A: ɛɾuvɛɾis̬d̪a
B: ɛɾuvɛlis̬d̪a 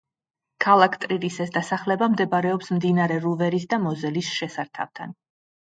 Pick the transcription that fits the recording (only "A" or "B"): A